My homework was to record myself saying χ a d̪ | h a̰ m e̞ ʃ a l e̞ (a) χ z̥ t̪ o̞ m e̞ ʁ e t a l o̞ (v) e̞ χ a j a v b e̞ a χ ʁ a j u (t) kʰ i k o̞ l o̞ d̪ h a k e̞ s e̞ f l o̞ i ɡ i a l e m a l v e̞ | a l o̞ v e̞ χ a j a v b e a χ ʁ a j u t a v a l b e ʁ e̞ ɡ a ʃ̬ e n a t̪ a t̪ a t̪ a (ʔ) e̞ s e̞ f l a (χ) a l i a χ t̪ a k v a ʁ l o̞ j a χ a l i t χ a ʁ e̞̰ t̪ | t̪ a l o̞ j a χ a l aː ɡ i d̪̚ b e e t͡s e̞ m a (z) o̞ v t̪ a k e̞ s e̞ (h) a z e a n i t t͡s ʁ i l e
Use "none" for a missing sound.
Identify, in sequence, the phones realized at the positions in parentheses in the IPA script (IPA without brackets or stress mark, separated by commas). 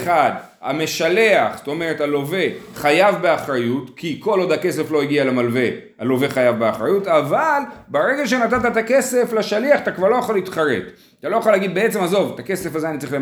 a, v, t, k, ʃ, z, f